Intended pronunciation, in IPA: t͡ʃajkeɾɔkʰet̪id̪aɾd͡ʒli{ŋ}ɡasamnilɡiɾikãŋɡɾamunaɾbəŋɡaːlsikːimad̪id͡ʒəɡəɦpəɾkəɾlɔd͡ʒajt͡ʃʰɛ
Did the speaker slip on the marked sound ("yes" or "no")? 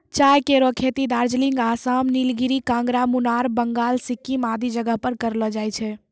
no